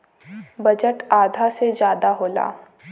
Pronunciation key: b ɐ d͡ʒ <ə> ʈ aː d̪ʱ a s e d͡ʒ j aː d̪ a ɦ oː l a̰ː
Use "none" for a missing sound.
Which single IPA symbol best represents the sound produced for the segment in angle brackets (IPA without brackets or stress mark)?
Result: ə